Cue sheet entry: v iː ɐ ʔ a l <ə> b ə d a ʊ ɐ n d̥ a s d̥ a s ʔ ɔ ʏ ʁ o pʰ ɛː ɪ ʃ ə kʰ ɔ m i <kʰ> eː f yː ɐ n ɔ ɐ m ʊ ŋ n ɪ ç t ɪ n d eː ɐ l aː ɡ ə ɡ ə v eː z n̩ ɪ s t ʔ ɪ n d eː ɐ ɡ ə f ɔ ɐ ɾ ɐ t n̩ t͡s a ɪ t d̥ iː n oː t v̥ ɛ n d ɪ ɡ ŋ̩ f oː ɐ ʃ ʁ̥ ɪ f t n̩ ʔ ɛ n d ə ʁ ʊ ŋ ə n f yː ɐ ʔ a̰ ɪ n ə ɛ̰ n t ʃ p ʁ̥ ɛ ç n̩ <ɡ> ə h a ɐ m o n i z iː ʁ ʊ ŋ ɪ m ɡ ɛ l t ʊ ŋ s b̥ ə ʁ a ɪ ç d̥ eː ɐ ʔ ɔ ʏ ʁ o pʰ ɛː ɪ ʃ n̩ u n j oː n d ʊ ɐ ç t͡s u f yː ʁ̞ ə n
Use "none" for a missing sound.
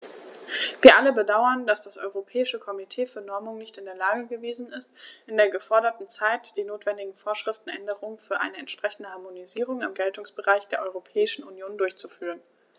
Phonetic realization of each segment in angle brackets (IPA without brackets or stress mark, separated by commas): ə, tʰ, d